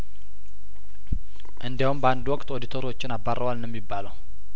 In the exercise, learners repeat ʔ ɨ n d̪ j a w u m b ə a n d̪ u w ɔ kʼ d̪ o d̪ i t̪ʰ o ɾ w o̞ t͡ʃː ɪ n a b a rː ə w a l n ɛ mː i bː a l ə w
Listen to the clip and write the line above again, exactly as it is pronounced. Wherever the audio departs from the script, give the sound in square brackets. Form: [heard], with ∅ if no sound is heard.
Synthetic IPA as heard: ʔ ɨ n d̪ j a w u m b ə a n d̪ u w ɔ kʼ [t̪] o d̪ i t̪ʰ o ɾ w o̞ t͡ʃː ɪ n a b a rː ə w a l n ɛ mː i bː a l ə w